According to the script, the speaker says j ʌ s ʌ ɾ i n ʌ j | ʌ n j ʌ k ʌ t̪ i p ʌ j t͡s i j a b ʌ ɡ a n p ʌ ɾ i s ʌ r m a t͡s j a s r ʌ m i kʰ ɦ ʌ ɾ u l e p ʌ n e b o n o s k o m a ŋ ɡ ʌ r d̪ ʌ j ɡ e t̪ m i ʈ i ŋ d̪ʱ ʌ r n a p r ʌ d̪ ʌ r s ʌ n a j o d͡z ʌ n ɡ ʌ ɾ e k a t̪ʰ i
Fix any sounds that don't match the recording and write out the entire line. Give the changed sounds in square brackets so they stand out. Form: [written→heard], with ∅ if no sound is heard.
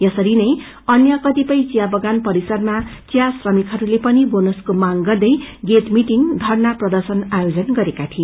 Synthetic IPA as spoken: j ʌ s ʌ ɾ i n ʌ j | ʌ n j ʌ k ʌ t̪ i p ʌ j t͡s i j a b ʌ ɡ a n p ʌ ɾ i s ʌ r m a t͡s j a s r ʌ m i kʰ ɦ ʌ ɾ u l e p ʌ n [e→i] b o n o s k o m a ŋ ɡ ʌ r d̪ ʌ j ɡ e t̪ m i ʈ i ŋ d̪ʱ ʌ r n a p r ʌ d̪ ʌ r s ʌ n a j o d͡z ʌ n ɡ ʌ ɾ e k a t̪ʰ i